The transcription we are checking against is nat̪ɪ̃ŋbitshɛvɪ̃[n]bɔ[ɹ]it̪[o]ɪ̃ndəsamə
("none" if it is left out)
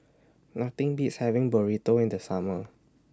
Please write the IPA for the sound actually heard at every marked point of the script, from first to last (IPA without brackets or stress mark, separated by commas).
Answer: ŋ, ɹ, o